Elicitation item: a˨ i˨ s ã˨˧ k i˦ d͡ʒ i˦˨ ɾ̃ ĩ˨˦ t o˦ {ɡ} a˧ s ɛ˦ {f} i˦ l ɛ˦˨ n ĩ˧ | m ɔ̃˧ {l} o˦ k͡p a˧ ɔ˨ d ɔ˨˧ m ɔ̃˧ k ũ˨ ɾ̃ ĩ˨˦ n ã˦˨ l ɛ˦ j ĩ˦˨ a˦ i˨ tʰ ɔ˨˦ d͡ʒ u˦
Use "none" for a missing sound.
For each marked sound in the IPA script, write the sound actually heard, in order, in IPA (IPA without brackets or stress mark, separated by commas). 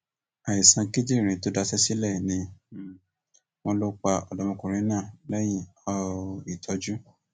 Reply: d, s, l